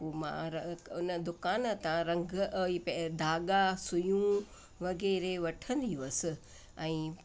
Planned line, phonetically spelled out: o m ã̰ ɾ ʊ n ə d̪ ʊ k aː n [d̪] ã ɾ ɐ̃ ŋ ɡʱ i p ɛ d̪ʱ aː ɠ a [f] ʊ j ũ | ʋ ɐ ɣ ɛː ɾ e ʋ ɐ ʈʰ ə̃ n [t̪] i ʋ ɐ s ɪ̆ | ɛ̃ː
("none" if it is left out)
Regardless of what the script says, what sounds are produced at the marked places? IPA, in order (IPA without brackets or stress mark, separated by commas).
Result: t̪, s, d̪